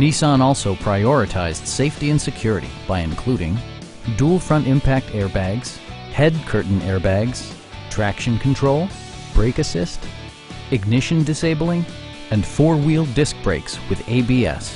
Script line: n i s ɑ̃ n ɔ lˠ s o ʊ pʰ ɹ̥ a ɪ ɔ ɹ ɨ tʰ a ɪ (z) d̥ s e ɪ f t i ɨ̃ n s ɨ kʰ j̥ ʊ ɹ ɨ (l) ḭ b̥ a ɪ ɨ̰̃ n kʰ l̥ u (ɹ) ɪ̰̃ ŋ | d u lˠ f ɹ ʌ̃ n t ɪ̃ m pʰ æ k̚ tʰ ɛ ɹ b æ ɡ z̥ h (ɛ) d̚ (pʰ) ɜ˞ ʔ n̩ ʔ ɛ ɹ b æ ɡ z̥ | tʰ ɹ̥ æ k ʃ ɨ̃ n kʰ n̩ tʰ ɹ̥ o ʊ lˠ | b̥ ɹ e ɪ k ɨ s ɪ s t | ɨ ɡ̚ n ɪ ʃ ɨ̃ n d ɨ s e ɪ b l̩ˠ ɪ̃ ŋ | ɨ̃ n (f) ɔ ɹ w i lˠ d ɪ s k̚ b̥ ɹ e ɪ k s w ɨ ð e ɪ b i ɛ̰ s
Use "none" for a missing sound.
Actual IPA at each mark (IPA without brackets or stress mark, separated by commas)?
z, ɾ, ɾ, ɛ, kʰ, f